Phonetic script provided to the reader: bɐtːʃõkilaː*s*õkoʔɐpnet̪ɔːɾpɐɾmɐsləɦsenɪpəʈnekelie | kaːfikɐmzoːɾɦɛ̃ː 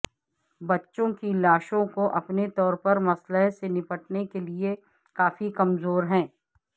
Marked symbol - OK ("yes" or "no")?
no